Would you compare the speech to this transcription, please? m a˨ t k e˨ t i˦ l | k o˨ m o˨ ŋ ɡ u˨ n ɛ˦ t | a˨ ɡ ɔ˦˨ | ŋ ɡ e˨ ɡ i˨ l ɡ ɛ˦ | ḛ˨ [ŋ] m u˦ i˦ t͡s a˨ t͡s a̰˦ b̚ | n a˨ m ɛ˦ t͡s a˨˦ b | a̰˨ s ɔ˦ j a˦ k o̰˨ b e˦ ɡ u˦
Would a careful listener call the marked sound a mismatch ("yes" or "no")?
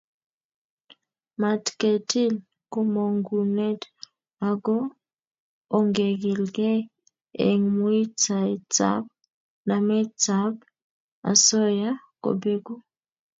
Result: no